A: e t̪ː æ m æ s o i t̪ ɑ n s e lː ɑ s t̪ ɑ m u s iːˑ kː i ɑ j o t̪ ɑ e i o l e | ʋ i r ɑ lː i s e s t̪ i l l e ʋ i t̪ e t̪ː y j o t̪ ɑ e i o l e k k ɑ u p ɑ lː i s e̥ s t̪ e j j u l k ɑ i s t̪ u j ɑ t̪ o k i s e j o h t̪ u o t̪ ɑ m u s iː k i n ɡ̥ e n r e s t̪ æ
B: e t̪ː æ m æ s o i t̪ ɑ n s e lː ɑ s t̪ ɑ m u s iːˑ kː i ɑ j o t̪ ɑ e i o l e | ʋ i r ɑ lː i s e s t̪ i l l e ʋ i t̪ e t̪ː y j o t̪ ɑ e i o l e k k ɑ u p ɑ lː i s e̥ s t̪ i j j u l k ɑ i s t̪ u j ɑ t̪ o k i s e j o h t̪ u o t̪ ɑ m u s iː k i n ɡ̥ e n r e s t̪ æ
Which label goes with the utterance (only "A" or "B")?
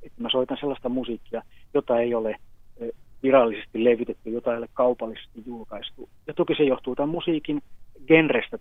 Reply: B